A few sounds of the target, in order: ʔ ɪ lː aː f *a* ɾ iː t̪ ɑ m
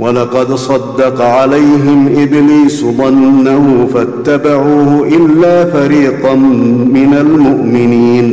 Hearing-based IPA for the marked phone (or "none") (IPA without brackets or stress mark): a